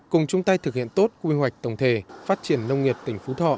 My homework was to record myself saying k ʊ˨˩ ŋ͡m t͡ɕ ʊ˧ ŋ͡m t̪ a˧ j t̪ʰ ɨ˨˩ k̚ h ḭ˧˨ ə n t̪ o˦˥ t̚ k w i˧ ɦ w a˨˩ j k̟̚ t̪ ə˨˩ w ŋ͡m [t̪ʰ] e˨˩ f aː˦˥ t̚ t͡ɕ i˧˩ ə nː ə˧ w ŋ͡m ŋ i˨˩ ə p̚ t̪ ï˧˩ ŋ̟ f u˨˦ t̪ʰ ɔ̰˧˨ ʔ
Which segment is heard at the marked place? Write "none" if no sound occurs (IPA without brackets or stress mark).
t̪ʰ